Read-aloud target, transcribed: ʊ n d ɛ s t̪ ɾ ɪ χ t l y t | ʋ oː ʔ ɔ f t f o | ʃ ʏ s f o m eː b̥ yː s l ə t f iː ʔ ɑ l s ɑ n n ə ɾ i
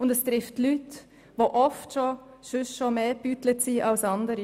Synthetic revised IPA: ʊ n d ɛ s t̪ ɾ ɪ f t l y t | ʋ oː ʔ ɔ f t ʃ o | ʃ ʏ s ʃ o m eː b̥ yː t l ə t s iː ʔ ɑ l s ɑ n d ə ɾ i